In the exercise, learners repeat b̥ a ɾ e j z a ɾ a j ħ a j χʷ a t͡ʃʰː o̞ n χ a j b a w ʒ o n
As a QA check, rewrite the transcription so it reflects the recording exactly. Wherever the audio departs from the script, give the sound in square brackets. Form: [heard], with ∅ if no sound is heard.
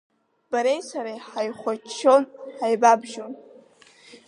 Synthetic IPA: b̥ a ɾ e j [s] a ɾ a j ħ a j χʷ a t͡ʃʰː o̞ n [ħ] a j b a [b] ʒ o n